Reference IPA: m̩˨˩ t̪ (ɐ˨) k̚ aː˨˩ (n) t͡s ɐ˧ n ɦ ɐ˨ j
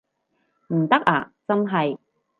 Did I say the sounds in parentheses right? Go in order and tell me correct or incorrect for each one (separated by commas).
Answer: incorrect, incorrect